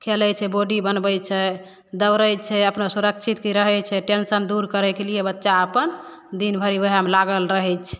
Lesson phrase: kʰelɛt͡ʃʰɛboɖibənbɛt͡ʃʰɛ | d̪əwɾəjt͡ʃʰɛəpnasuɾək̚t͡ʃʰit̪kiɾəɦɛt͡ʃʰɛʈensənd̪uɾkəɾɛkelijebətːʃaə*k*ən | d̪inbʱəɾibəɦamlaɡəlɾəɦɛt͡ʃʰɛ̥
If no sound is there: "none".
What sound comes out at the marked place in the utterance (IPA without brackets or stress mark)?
p